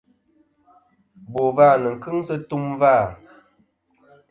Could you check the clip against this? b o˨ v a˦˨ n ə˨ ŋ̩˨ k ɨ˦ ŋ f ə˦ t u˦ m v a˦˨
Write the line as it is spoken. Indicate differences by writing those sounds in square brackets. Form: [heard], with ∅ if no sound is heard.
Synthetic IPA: b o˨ v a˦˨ n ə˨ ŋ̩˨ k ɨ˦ ŋ [s] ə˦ t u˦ m v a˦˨